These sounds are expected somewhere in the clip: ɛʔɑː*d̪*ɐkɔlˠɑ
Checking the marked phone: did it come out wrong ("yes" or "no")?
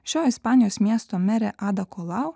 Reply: no